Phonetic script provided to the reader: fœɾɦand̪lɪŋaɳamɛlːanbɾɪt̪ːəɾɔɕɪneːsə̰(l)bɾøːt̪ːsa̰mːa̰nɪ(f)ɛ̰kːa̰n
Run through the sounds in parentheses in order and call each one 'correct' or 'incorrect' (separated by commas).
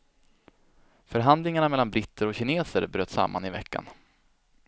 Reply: incorrect, incorrect